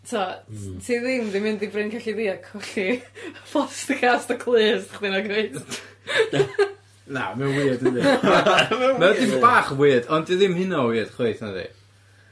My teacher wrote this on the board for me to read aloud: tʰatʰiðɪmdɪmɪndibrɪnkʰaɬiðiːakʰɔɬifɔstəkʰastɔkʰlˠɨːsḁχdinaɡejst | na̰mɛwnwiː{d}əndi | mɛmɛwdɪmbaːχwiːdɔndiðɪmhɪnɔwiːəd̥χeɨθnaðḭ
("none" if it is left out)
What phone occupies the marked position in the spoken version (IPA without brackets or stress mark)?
d